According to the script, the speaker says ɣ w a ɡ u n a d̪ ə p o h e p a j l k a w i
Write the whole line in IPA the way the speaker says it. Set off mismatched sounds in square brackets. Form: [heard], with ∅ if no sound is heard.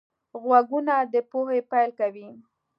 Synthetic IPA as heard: ɣ w a ɡ u n a d̪ ə p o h e p a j l k a w i